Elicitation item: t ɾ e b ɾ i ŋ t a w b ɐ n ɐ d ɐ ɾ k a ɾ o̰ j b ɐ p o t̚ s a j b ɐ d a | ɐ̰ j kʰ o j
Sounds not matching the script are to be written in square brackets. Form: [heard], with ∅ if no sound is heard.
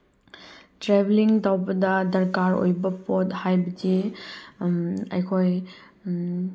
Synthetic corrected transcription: t ɾ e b [l] i ŋ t a w b ɐ [d] ɐ d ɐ ɾ k a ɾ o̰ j b ɐ p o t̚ [h] a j b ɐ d [i] | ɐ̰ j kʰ o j